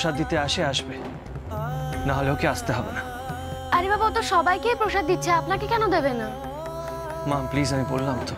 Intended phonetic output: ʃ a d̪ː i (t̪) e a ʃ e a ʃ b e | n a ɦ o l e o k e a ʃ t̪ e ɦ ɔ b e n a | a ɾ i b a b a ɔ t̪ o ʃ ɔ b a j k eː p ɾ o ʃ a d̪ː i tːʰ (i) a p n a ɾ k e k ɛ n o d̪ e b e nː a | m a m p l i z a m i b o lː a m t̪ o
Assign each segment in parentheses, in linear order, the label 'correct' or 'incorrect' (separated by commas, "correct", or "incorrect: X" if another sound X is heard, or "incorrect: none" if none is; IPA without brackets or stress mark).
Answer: correct, incorrect: e